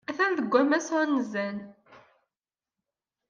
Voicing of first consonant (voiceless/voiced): voiceless